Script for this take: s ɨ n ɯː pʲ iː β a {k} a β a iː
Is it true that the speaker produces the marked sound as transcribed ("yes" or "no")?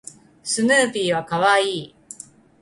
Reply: yes